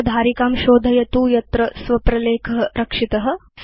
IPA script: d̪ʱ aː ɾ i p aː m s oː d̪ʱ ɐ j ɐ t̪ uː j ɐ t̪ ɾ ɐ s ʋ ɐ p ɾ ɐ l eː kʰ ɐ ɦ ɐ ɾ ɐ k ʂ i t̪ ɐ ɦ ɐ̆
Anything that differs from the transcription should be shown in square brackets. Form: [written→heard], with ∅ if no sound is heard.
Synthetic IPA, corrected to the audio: d̪ʱ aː ɾ i [p→k] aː m [s→ʃ] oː d̪ʱ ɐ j ɐ t̪ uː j ɐ t̪ ɾ ɐ s ʋ ɐ p ɾ ɐ l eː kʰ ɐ ɦ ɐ ɾ ɐ k ʂ i t̪ ɐ ɦ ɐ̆